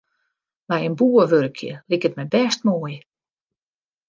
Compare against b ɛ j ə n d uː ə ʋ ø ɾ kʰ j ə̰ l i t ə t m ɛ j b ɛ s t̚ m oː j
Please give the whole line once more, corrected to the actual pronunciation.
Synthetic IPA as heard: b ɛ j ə n b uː ə ʋ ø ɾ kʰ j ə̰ l i k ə t m ɛ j b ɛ s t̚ m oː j